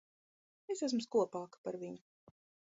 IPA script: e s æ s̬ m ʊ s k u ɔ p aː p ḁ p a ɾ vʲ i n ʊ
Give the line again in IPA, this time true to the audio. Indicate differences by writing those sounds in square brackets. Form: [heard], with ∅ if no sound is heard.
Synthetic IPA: e s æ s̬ m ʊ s k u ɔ p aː [k] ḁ p a ɾ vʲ i [ɲ] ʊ